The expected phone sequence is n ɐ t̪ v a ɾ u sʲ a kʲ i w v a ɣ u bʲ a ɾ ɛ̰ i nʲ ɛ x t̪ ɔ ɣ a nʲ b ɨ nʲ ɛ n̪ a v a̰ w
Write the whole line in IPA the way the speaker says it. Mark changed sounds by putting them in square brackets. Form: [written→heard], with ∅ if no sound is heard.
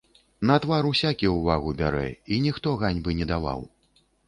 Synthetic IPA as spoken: n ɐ t̪ v a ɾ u sʲ a kʲ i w v a ɣ u bʲ a ɾ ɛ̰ i nʲ [ɛ→i] x t̪ ɔ ɣ a nʲ b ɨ nʲ ɛ [n̪→d̪] a v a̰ w